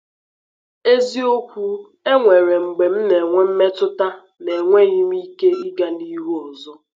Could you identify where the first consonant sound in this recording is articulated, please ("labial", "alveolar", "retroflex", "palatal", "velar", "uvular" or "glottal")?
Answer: alveolar